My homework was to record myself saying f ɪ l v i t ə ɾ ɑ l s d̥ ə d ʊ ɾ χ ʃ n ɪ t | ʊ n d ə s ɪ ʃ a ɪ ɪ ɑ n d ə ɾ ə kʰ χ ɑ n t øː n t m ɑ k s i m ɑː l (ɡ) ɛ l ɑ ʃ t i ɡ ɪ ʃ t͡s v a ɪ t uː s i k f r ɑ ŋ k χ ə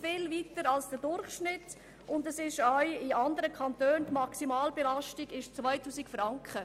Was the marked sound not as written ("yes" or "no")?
yes